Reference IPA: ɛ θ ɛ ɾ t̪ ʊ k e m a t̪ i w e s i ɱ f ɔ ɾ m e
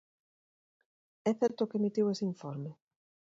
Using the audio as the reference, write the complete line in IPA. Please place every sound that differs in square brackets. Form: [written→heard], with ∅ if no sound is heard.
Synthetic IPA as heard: ɛ θ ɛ ɾ t̪ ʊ k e m [a→i] t̪ i w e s i ɱ f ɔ ɾ m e